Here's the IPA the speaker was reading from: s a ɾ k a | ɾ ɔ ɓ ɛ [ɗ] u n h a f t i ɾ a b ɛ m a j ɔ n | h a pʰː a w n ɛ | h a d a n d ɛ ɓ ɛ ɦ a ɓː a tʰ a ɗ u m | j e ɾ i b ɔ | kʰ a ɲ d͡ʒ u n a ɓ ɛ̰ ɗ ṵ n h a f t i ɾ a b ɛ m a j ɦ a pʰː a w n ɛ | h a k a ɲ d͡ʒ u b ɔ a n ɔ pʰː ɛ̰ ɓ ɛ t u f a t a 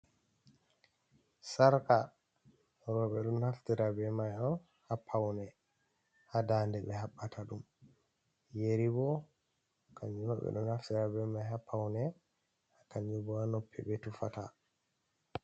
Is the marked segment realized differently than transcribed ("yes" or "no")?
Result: no